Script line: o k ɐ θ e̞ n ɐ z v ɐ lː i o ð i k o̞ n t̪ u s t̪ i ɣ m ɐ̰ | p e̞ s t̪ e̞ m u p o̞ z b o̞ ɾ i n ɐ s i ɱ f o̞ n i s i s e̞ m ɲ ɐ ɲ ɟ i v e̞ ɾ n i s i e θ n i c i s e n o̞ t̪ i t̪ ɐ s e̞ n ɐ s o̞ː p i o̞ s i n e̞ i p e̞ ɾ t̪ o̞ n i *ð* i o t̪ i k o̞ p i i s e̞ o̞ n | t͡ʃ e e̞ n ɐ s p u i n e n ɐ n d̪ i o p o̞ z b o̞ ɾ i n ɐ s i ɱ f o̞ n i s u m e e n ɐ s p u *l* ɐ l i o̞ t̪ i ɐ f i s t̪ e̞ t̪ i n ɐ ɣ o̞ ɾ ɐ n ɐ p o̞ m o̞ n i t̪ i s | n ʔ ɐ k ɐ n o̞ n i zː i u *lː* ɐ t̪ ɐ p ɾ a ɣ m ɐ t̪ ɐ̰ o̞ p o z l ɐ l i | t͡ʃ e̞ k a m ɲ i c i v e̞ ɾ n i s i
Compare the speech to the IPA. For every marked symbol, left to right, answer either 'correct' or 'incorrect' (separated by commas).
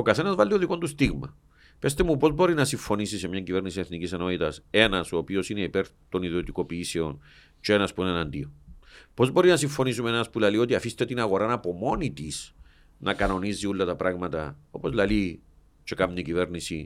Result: correct, correct, correct